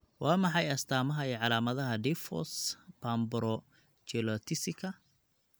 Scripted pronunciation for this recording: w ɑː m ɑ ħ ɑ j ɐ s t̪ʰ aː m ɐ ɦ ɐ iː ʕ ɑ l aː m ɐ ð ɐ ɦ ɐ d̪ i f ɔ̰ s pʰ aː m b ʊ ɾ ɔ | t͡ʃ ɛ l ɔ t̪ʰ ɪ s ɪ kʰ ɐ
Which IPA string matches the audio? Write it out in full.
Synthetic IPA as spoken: w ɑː m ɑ ħ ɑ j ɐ s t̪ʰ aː m ɐ ɦ ɐ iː ʕ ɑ l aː m ɐ ð ɐ ɦ ɐ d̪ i f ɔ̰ s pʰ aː m b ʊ ɾ ɔ | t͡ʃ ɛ l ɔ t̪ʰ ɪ s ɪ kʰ ɐ

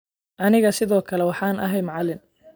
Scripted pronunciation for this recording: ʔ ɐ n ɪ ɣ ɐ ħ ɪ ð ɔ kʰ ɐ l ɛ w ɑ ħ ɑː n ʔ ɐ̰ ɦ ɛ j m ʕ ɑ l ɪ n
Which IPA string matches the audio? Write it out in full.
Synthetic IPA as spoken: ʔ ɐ n ɪ ɣ ɐ s ɪ ð ɔː kʰ ɐ l ɛ w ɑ ħ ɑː n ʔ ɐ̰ ɦ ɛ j m ʕ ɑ l ɪ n

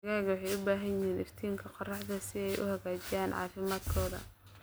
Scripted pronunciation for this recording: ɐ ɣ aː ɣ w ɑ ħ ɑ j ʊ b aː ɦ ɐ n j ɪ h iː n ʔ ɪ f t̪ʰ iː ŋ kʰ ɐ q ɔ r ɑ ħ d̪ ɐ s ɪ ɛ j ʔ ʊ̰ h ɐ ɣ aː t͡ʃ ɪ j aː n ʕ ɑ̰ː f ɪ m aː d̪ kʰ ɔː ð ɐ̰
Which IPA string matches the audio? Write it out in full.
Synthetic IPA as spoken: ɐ ɣ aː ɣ w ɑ ħ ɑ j ʊ b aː ɦ ɐ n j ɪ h iː n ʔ ɪ f t̪ʰ iː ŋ kʰ ɐ q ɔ r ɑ ħ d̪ ɐ s ɪ ɛ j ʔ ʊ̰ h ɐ ɣ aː t͡ʃ ɪ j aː n ʕ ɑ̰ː f ɪ m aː d̪ kʰ ɔː ð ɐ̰

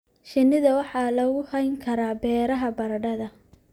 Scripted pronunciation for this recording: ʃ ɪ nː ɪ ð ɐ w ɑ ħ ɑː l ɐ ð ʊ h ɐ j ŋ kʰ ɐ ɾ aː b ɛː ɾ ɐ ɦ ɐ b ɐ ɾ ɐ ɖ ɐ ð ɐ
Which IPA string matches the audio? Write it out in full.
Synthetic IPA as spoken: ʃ ɪ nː ɪ ð ɐ w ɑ ħ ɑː l ɐ ɣ ʊ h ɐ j ŋ kʰ ɐ ɾ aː b ɛː ɾ ɐ ɦ ɐ b ɐ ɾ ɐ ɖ ɐ ð ɐ

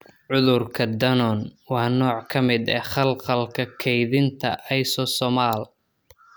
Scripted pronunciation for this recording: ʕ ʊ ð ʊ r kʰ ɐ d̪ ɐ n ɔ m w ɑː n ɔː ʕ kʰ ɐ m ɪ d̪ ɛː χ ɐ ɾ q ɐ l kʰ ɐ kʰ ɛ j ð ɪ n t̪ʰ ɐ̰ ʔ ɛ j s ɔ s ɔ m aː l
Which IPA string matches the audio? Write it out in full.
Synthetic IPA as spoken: ʕ ʊ ð ʊ r kʰ ɐ d̪ ɐ n ɔ n w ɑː n ɔː ʕ kʰ ɐ m ɪ d̪ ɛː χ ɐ l q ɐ l kʰ ɐ kʰ ɛ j ð ɪ n t̪ʰ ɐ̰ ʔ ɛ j s ɔ s ɔ m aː l

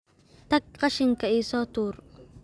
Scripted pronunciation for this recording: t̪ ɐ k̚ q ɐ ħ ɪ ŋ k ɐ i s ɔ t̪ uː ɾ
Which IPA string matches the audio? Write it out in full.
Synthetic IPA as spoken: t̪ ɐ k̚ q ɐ ʃ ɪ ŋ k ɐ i s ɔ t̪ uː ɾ

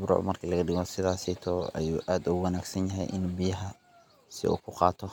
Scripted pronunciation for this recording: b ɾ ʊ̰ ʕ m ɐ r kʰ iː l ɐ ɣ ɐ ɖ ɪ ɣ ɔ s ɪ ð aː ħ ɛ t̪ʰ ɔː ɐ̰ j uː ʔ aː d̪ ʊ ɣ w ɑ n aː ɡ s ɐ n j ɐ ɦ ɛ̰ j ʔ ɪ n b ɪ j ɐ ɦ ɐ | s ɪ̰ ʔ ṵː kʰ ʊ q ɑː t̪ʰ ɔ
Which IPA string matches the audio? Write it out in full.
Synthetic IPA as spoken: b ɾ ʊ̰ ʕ m ɐ r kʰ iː l ɐ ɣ ɐ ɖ ɪ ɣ ɔ s ɪ ð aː s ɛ t̪ʰ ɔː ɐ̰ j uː ʔ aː d̪ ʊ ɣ w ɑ n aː ɡ s ɐ n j ɐ ɦ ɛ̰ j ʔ ɪ n b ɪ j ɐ ɦ ɐ | s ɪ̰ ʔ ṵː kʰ ʊ q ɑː t̪ʰ ɔ

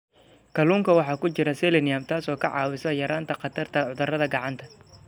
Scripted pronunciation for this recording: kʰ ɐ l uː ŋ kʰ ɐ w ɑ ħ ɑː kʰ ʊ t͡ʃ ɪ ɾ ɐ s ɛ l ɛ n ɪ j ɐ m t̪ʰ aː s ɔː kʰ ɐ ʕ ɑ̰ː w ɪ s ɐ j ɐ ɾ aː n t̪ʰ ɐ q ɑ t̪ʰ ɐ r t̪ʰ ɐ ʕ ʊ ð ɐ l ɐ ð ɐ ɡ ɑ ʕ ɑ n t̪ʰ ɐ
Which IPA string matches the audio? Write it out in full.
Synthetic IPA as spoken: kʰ ɐ l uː ŋ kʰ ɐ w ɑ ħ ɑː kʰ ʊ t͡ʃ ɪ ɾ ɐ s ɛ l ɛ n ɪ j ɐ m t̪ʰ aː s ɔː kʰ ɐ ʕ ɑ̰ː w ɪ s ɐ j ɐ ɾ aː n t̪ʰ ɐ q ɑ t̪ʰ ɐ r t̪ʰ ɐ ʕ ʊ ð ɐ r ɐ ð ɐ ɡ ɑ ʕ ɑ n t̪ʰ ɐ

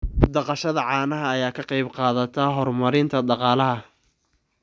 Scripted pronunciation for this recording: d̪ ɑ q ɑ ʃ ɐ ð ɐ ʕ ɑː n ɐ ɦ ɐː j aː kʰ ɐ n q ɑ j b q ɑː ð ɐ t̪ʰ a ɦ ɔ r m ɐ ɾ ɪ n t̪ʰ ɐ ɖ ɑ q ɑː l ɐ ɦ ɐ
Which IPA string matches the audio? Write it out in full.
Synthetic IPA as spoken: d̪ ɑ q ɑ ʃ ɐ ð ɐ ʕ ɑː n ɐ ɦ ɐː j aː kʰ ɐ q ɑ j b q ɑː ð ɐ t̪ʰ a ɦ ɔ r m ɐ ɾ ɪ n t̪ʰ ɐ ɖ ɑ q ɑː l ɐ ɦ ɐ

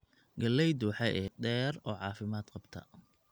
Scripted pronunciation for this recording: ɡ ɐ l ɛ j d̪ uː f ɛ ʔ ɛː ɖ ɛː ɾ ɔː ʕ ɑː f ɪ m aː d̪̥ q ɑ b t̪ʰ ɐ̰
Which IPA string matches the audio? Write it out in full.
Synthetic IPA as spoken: ɡ ɐ l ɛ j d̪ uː ħ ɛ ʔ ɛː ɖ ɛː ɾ ɔː ʕ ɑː f ɪ m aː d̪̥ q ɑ b t̪ʰ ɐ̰

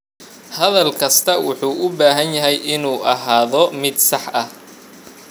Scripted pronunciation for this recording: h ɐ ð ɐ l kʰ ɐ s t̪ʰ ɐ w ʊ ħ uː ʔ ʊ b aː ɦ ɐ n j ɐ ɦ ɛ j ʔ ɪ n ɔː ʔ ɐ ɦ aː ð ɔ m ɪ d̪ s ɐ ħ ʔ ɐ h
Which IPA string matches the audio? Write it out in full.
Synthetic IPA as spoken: h ɐ ð ɐ l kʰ ɐ s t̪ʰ ɐ w ʊ ħ uː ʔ ʊ b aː ɦ ɐ n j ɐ ɦ ɛ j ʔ ɪ n uː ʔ ɐ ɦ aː ð ɔ m ɪ d̪ s ɑ ħ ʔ ɐ h

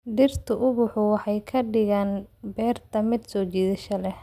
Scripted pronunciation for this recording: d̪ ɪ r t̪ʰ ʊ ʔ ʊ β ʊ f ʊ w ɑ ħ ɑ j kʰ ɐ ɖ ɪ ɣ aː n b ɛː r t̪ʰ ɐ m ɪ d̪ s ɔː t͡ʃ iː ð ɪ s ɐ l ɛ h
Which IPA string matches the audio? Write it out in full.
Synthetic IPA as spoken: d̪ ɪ r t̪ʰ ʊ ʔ ʊ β ʊ ħ ʊ w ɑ ħ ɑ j kʰ ɐ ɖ ɪ ɣ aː n b ɛː r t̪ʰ ɐ m ɪ d̪ s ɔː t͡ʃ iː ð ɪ ʃ ɐ l ɛ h

